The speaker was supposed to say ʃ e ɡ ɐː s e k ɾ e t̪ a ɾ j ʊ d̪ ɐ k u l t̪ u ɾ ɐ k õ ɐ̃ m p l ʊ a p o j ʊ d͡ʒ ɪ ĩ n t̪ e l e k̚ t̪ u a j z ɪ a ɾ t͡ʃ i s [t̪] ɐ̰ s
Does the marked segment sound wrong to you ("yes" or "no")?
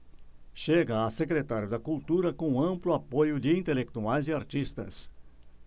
no